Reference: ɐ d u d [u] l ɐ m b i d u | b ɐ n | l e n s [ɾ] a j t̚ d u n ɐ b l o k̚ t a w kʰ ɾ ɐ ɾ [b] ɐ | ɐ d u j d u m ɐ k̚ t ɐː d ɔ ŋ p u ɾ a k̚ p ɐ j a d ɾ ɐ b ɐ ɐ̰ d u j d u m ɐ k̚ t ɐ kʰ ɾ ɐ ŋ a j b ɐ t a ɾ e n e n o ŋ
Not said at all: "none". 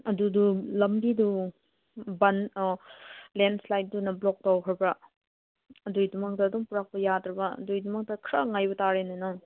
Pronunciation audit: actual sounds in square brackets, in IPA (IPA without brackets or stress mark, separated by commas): u, l, b